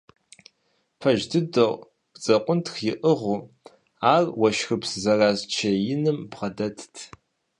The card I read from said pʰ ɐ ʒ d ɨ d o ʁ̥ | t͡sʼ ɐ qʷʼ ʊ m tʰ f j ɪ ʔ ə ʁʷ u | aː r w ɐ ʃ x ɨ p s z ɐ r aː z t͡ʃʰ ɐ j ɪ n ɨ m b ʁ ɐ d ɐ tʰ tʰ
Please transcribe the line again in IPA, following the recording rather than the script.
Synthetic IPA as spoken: pʰ ɐ ʒ d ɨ d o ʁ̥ | t͡sʼ ɐ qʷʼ ʊ n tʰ x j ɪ ʔ ə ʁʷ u | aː r w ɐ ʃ x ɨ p s z ɐ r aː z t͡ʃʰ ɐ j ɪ n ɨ m b ʁ ɐ d ɐ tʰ tʰ